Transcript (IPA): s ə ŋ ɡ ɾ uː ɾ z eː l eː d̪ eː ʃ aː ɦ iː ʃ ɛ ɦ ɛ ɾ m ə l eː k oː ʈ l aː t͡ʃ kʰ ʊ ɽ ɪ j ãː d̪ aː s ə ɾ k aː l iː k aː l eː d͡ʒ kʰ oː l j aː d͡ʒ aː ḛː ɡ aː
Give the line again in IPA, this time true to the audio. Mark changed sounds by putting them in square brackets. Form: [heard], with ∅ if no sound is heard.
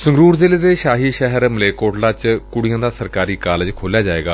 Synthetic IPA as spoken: s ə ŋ ɡ ɾ uː ɾ z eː l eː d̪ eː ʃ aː ɦ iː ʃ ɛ ɦ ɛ ɾ m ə l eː k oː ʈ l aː t͡ʃ [k] ʊ ɽ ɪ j ãː d̪ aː s ə ɾ k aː [ɾ] iː k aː l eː d͡ʒ kʰ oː l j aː d͡ʒ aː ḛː ɡ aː